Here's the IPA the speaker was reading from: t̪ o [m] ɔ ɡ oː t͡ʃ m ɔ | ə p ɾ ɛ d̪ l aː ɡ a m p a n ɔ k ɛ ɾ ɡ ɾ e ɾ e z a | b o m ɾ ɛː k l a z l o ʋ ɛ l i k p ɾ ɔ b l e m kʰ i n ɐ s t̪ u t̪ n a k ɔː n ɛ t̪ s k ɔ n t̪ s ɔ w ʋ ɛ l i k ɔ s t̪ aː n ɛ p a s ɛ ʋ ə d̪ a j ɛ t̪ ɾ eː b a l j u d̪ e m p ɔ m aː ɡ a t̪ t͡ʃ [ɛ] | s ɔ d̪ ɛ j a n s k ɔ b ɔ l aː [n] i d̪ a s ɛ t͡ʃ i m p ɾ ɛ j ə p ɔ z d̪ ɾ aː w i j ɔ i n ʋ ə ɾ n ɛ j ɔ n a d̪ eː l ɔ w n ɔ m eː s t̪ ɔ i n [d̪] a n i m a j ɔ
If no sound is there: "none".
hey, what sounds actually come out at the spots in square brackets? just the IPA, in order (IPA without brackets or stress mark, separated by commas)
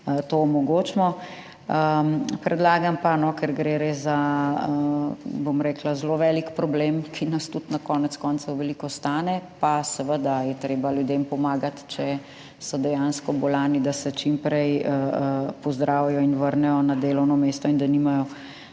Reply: m, ɛ, n, d̪